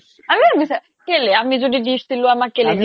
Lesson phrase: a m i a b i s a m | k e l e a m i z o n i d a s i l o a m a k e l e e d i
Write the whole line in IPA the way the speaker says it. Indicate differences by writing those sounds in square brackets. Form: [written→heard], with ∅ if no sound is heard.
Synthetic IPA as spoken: a m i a b i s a [m→∅] | k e l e a m i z o [n→d] i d [a→i] s i l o a m a k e l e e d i